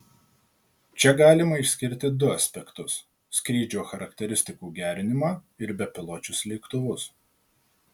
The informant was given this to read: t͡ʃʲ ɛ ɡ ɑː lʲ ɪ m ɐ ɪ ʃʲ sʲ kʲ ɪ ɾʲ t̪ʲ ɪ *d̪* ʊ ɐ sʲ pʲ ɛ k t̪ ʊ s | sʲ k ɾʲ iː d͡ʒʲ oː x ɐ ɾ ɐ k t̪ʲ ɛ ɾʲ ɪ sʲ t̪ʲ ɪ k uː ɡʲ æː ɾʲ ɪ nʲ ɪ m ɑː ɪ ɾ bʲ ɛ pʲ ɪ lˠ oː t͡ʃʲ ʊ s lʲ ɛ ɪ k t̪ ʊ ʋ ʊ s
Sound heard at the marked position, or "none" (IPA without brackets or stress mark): d̪